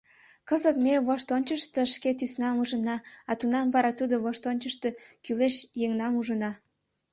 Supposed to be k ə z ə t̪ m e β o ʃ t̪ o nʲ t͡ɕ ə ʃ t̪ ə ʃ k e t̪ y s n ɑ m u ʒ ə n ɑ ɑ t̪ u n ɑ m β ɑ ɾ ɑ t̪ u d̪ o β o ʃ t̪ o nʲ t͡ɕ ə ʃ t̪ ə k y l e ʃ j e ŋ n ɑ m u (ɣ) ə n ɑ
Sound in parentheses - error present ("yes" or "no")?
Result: yes